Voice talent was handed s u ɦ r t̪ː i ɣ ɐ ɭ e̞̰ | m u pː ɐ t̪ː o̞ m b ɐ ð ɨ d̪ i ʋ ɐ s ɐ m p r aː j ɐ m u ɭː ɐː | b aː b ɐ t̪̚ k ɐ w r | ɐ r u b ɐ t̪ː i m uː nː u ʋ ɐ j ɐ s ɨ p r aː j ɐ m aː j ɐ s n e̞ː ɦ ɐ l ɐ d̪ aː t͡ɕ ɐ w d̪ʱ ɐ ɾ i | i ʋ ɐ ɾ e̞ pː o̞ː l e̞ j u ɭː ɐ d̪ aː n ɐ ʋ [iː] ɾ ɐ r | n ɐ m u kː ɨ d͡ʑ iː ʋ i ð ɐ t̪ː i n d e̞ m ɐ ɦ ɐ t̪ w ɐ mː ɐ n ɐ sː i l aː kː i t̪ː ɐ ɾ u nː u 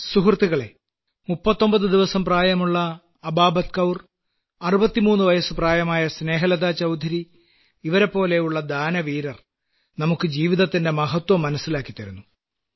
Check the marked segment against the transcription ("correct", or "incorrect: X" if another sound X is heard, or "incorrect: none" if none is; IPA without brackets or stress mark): correct